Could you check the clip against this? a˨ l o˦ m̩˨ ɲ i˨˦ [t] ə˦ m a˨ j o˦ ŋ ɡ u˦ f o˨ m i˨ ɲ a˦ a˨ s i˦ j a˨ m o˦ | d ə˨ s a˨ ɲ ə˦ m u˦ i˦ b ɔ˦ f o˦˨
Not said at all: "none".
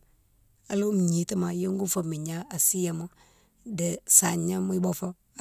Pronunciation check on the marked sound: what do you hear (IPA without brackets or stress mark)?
t